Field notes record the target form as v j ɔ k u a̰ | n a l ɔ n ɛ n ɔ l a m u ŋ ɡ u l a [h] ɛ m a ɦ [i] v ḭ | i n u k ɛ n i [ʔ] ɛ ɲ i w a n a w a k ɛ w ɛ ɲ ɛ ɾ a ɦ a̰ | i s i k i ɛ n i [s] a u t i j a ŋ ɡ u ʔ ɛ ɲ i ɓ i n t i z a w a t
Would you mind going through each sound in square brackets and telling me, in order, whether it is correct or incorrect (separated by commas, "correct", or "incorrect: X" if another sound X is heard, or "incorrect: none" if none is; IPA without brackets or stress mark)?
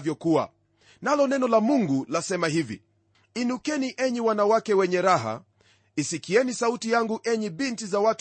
incorrect: s, correct, correct, correct